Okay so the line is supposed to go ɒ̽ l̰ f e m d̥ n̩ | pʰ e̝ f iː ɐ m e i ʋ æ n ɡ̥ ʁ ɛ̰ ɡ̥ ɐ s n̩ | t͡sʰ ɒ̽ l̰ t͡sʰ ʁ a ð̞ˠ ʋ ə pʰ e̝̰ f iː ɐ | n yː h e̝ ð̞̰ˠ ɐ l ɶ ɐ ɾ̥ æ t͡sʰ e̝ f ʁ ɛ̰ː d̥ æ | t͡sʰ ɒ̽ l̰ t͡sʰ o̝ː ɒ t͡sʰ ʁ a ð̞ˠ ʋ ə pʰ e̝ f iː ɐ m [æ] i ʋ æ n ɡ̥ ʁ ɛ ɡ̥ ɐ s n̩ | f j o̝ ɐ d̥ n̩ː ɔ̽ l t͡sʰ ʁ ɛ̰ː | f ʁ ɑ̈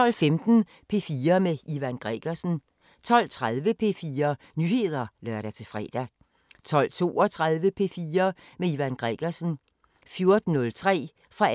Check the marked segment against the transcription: incorrect: e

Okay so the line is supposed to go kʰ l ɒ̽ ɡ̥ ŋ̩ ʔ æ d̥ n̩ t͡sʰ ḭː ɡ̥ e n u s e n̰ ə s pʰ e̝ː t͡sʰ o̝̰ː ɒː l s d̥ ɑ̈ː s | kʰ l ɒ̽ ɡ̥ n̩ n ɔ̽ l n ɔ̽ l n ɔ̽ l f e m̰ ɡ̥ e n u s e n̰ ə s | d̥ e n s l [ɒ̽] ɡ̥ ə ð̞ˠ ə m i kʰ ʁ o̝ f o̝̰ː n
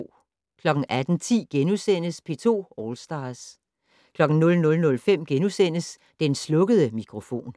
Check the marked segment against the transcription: incorrect: ɔ̽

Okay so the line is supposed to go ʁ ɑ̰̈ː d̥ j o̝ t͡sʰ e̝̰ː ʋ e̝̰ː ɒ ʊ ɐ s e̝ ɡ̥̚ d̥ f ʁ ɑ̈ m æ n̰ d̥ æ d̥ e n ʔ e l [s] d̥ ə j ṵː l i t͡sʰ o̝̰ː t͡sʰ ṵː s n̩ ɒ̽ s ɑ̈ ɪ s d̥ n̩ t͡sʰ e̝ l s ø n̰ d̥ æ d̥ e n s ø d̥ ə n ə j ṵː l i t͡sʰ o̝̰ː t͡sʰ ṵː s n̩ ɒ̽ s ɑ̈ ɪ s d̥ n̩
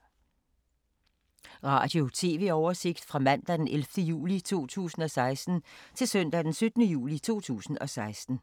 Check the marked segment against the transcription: incorrect: f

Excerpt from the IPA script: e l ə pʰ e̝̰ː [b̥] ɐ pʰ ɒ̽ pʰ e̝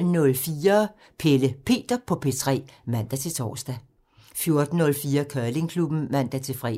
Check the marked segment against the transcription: incorrect: d̥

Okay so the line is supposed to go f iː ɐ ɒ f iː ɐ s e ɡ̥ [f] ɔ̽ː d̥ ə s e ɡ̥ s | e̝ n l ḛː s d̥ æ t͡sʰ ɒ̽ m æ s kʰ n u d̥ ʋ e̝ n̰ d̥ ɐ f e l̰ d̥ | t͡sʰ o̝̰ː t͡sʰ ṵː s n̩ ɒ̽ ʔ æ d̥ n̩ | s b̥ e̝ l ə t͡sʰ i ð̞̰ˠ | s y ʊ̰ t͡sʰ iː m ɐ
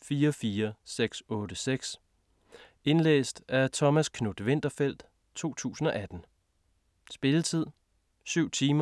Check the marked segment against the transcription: incorrect: s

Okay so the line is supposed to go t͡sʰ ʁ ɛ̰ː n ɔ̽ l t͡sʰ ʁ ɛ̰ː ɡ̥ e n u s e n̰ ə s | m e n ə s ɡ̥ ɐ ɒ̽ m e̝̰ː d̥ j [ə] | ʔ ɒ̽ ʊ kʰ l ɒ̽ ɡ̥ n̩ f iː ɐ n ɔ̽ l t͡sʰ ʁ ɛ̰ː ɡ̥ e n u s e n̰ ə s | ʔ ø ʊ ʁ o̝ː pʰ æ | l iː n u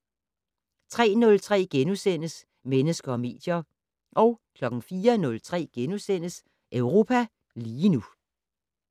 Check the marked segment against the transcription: incorrect: ɐ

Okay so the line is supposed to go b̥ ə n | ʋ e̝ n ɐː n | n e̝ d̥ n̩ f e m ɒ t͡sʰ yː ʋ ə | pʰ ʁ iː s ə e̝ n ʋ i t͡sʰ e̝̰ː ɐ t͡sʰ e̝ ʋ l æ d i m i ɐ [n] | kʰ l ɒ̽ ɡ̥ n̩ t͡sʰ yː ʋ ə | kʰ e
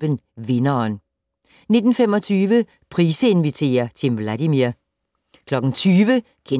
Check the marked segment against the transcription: incorrect: none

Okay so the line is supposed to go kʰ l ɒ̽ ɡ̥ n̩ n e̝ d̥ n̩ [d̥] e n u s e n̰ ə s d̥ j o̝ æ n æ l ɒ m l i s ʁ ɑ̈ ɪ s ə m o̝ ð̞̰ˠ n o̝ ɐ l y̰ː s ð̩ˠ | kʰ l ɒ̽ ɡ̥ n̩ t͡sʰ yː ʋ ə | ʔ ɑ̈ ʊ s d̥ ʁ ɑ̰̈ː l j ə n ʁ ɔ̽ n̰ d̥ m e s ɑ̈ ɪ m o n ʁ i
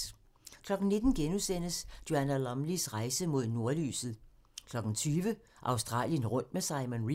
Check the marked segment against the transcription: incorrect: ɡ̥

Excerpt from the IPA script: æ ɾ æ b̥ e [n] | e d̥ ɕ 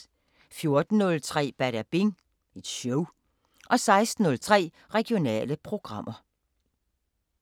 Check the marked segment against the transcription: incorrect: ŋ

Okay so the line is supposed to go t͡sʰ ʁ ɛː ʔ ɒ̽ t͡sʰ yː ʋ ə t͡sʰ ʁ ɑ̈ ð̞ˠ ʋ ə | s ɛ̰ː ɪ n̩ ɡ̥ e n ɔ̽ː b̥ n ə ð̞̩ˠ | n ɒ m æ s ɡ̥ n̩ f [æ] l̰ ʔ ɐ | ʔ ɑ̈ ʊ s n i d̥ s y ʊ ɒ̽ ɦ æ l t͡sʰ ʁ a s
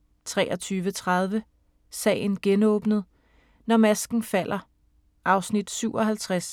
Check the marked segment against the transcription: correct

